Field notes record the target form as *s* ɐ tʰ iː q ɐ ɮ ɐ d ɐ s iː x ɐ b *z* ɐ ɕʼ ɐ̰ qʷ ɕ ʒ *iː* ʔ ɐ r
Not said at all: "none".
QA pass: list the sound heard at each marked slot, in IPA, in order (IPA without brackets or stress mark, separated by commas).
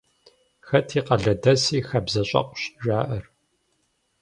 x, z, aː